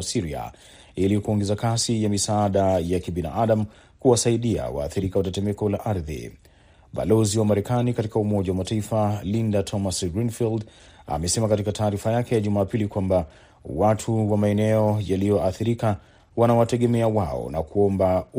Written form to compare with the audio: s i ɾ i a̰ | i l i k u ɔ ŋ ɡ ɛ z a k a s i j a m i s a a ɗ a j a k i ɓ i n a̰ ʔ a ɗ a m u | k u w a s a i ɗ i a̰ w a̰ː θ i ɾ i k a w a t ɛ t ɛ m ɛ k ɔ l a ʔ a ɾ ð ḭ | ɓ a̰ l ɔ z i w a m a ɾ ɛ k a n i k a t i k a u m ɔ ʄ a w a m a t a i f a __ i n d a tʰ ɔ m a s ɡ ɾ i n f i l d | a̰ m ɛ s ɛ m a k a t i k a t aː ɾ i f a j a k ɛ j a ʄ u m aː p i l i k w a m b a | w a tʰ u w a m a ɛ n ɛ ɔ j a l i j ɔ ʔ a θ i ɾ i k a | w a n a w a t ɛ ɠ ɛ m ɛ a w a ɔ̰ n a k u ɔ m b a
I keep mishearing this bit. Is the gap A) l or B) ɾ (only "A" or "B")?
A